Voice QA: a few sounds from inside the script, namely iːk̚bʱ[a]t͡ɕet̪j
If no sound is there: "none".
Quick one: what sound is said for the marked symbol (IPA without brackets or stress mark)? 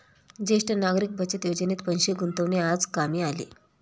ə